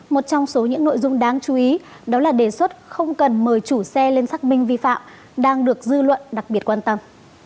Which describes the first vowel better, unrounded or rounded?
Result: rounded